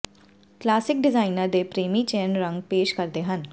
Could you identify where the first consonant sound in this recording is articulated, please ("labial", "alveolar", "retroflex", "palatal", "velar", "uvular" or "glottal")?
velar